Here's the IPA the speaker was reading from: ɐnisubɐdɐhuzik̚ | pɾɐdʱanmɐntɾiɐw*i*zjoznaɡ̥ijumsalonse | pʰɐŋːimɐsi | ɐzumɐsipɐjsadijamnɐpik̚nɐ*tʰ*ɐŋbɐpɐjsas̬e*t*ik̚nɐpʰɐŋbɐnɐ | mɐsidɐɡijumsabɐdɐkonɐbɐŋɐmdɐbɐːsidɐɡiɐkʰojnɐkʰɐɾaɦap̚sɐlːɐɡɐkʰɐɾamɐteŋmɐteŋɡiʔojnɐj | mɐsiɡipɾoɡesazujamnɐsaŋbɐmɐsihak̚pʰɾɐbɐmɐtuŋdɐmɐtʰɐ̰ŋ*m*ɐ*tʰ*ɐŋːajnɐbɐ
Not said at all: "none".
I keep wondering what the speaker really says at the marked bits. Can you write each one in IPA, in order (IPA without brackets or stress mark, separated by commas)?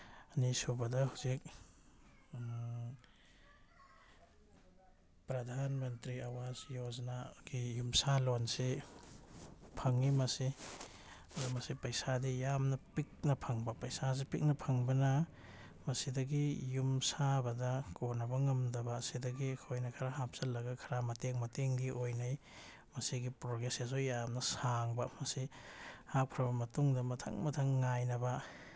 a, pʰ, p, m, tʰ